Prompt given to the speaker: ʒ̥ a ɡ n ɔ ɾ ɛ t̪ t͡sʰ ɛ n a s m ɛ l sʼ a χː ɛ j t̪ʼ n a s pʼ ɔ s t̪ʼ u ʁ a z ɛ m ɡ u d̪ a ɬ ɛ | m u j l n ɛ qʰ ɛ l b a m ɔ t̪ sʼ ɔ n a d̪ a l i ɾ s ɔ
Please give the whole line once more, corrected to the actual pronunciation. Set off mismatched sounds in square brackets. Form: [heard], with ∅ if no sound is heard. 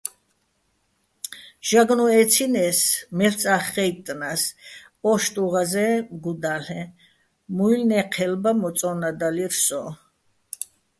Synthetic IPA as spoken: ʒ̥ a ɡ n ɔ [∅] ɛ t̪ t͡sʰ [i] n [ɛ] s m ɛ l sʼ a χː ɛ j t̪ʼ n a s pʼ ɔ [ʃ] t̪ʼ u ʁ a z ɛ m ɡ u d̪ a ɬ ɛ | m u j l n ɛ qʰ ɛ l b a m ɔ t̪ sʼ ɔ n a d̪ a l i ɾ s ɔ